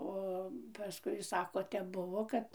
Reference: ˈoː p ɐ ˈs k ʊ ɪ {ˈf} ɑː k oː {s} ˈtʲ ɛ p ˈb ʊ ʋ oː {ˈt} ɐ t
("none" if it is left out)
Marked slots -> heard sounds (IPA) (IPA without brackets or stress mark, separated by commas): s, none, k